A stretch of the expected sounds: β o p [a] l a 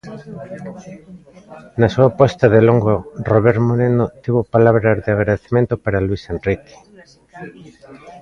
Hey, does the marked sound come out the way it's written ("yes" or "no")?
yes